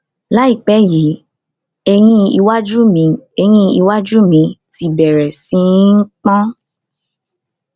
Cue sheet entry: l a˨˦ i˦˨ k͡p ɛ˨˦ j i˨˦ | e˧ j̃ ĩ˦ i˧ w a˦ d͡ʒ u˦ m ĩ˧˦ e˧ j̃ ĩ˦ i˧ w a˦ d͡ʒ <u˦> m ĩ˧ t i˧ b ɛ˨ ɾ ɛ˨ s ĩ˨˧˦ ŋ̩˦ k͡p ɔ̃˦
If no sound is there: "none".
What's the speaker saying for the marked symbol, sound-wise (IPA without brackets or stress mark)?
u˦